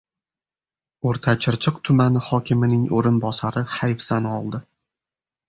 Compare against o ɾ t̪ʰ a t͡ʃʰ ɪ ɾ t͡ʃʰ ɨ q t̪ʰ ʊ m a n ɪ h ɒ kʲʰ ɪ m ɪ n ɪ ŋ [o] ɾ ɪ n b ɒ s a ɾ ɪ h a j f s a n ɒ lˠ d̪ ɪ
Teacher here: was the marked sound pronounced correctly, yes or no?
yes